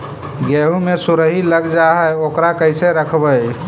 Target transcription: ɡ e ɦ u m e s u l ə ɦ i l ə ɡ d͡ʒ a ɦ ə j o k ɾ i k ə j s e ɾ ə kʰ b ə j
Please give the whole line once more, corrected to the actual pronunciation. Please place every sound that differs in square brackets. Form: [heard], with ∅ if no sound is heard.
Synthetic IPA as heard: ɡ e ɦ u m e s u [ɾ] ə ɦ i l ə ɡ d͡ʒ a ɦ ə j o k ɾ [a] k ə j s e ɾ ə kʰ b ə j